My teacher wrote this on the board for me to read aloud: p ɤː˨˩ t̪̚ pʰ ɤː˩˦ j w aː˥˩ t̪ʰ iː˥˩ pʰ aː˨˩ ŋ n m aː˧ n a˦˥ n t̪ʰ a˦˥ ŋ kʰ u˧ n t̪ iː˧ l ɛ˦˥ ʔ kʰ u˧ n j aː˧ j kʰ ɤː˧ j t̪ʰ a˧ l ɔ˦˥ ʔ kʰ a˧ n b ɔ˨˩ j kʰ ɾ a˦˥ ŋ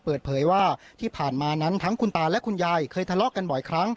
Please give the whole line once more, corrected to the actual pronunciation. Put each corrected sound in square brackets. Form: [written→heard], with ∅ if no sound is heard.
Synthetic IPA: p ɤː˨˩ t̪̚ pʰ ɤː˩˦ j w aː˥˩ t̪ʰ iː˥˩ pʰ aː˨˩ [ŋ→∅] n m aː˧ n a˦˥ n t̪ʰ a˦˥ ŋ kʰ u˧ n t̪ [iː˧→aː˧] l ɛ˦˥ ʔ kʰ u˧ n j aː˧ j kʰ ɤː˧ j t̪ʰ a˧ l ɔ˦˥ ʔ [kʰ→k] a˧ n b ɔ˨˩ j kʰ ɾ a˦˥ ŋ